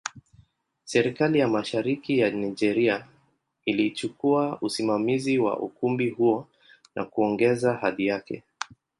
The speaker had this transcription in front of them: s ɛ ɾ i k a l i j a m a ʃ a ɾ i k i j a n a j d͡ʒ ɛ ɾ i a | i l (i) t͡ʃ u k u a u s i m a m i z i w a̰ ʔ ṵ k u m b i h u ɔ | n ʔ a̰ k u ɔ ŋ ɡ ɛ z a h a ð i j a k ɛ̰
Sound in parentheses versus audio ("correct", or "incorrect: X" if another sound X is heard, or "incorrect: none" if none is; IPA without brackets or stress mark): correct